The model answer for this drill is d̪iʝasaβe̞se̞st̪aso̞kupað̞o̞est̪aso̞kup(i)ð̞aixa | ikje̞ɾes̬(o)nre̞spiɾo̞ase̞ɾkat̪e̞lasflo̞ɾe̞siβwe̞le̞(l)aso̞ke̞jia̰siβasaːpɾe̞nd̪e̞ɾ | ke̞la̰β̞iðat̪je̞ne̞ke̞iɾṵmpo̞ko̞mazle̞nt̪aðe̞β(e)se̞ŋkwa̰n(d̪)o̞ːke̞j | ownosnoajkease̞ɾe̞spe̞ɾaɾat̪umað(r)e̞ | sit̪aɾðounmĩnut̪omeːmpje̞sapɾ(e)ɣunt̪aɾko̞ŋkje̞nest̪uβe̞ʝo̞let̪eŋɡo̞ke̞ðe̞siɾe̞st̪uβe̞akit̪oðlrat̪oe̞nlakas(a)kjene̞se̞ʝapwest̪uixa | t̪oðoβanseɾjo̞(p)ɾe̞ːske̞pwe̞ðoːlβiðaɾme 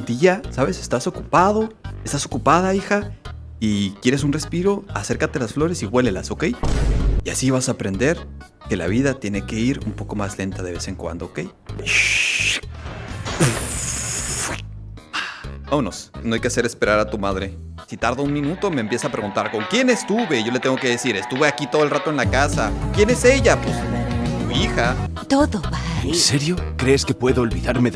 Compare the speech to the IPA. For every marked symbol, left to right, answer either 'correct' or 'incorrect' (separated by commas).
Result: incorrect, incorrect, correct, correct, correct, incorrect, correct, correct, incorrect